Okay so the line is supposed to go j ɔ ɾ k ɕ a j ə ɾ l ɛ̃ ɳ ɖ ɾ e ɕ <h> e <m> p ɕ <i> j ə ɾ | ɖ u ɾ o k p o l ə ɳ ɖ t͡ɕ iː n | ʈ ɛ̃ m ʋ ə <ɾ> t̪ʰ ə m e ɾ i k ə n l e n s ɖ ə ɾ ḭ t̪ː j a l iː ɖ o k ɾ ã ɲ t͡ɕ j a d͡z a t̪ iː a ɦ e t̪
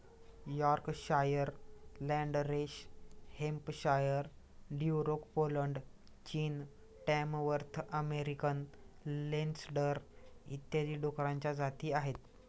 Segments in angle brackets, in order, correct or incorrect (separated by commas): correct, correct, incorrect, correct